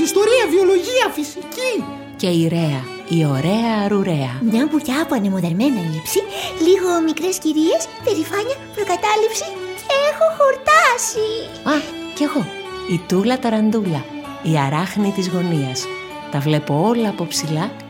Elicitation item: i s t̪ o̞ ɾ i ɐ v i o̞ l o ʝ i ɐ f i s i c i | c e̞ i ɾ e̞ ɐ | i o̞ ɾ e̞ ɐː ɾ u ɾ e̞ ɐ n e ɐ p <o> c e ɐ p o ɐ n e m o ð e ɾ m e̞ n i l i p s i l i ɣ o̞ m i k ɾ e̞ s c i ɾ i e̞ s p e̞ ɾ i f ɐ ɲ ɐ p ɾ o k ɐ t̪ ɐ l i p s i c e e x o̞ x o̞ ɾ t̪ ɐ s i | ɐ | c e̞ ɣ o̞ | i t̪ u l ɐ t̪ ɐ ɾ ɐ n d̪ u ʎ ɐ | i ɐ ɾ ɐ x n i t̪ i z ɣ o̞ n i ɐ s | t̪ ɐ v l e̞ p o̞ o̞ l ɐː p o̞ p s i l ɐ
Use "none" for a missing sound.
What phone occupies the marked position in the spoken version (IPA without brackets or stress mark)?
u